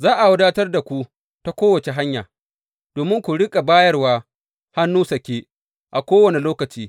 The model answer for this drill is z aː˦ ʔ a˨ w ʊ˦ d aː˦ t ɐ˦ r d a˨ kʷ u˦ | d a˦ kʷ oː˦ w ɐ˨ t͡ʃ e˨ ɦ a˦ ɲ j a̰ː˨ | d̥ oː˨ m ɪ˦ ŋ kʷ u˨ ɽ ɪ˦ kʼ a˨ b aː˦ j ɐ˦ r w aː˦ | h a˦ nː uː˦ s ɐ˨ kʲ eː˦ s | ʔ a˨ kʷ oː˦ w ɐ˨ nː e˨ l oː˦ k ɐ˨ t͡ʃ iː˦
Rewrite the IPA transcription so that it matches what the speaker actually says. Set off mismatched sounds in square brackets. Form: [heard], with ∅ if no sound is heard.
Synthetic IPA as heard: z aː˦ ʔ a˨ w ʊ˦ d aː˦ t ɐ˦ r d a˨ kʷ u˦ | [t] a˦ kʷ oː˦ w ɐ˨ t͡ʃ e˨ ɦ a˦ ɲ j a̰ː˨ | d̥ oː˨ m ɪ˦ ŋ kʷ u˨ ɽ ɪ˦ kʼ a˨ b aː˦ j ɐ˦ r w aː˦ | h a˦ nː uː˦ s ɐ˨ kʲ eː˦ [∅] | ʔ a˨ kʷ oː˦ w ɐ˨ [n] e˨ l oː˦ k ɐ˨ t͡ʃ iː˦

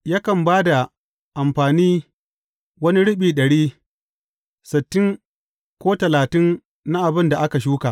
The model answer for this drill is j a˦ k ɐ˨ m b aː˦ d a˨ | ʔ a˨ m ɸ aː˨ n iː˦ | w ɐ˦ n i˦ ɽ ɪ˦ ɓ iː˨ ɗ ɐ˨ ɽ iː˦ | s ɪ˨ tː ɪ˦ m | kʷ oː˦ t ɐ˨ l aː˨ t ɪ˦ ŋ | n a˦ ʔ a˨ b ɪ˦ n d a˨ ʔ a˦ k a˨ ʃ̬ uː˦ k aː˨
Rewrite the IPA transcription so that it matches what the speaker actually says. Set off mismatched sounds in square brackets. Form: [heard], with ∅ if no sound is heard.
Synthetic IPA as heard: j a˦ k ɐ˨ m b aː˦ d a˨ | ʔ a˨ m ɸ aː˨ n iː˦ | w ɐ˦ n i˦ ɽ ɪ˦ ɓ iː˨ ɗ ɐ˨ ɽ iː˦ | s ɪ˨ tː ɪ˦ [ŋ] | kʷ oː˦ t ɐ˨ l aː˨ t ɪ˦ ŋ | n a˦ ʔ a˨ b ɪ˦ n d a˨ ʔ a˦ k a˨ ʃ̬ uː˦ k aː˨

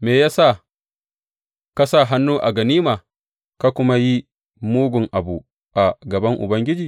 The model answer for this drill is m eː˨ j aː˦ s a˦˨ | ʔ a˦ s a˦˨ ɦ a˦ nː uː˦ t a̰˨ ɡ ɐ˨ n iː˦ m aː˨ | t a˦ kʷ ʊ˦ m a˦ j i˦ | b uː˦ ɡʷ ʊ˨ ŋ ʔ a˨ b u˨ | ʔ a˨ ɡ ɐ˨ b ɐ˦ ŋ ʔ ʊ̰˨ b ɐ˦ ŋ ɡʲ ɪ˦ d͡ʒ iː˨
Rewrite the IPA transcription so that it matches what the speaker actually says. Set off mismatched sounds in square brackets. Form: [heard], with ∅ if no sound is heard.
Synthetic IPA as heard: m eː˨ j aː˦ s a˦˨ | [k] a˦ s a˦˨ ɦ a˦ nː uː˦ [ʔ] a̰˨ ɡ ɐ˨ n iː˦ m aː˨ | [k] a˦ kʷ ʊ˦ m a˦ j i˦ | [m] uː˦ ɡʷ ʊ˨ ŋ ʔ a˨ b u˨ | ʔ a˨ ɡ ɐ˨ b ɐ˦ ŋ ʔ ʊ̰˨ b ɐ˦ ŋ ɡʲ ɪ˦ d͡ʒ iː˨

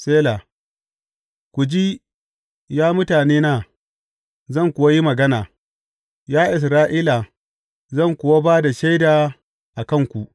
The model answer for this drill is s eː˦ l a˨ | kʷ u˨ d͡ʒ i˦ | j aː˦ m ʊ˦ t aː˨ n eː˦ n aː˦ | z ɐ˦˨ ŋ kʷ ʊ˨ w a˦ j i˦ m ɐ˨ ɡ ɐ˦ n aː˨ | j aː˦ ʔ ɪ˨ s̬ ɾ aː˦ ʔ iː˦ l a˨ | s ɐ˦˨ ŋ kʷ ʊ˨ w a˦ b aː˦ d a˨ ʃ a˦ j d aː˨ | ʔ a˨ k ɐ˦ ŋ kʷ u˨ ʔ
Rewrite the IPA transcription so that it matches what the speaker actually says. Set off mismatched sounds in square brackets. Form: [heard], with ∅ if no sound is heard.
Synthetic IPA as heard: s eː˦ l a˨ | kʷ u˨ d͡ʒ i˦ | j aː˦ m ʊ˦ t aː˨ n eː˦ n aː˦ | z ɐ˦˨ ŋ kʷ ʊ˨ w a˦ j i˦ m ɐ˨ ɡ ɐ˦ n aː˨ | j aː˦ ʔ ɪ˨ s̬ ɾ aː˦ ʔ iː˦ l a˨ | [z] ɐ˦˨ ŋ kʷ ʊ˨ w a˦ b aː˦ d a˨ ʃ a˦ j d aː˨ | ʔ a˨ k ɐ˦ ŋ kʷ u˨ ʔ

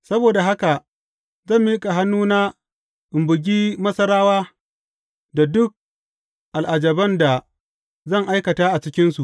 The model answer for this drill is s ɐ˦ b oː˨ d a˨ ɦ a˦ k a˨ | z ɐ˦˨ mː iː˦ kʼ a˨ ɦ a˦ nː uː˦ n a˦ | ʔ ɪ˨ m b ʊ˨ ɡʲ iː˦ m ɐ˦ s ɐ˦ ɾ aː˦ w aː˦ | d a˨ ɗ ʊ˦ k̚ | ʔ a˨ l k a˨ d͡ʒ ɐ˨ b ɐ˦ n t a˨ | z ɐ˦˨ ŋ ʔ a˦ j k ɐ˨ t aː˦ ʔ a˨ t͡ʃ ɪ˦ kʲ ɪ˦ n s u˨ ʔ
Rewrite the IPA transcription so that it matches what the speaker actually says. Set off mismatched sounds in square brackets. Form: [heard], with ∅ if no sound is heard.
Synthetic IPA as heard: s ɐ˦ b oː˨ d a˨ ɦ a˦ k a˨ | z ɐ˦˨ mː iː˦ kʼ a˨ ɦ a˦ nː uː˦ n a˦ | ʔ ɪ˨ m b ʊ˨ ɡʲ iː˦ m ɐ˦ s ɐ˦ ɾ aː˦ w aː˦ | d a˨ [d] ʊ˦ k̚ | ʔ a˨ l [ʔ] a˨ d͡ʒ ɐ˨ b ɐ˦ n [d] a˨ | z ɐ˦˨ ŋ ʔ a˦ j k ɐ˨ t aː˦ ʔ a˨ t͡ʃ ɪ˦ kʲ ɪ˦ n s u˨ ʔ

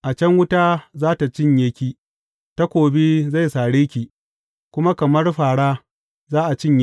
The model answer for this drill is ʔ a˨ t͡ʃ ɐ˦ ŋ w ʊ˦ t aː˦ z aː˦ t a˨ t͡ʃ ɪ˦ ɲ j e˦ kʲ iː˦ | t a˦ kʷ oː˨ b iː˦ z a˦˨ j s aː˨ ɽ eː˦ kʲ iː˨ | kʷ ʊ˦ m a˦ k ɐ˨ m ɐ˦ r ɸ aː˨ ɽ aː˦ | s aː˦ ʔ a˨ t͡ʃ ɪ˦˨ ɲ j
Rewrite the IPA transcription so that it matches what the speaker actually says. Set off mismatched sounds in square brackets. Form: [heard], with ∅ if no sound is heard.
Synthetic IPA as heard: ʔ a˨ t͡ʃ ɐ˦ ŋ w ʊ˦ t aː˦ z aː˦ t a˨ t͡ʃ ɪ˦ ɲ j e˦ kʲ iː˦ | t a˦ kʷ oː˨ b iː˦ z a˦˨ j s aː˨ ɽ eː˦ kʲ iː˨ | kʷ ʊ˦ m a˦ k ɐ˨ m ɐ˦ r ɸ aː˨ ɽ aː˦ | [z] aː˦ ʔ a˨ t͡ʃ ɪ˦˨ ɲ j

